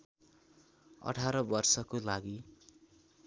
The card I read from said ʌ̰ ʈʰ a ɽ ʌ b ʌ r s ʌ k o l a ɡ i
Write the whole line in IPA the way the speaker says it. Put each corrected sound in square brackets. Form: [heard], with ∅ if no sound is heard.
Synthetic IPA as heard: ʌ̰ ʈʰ a [ɾ] ʌ b ʌ r s ʌ k o l a ɡ i